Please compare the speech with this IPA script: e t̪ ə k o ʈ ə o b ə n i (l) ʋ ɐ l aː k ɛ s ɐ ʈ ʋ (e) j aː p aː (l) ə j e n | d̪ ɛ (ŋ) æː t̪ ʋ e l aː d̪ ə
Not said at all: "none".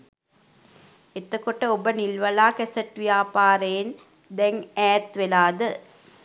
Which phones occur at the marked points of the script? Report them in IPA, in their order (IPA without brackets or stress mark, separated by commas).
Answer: l, i, ɾ, ŋ